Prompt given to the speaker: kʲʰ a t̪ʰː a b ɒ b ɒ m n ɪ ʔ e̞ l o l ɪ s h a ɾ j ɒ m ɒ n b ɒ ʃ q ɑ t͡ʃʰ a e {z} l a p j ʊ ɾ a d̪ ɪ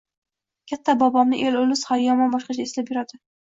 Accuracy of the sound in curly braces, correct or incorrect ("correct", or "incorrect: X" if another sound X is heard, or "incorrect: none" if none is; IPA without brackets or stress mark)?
incorrect: s